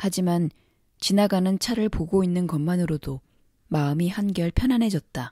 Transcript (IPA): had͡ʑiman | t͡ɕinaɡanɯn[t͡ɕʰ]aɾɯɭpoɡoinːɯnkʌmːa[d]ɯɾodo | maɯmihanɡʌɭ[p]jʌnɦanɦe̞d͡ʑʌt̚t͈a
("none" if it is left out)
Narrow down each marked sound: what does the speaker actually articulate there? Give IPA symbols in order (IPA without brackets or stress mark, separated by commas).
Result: t͡ɕʰ, n, pʰ